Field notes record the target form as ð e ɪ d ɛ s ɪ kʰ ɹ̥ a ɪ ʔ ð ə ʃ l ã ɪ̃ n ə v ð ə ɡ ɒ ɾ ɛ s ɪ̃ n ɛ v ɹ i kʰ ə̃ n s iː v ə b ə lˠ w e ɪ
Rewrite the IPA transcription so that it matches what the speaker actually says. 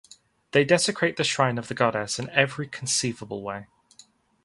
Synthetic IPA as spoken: ð e ɪ d ɛ s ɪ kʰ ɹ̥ e ɪ ʔ ð ə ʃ ɹ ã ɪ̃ n ə v ð ə ɡ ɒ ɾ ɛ s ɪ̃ n ɛ v ɹ i kʰ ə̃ n s iː v ə b ə lˠ w e ɪ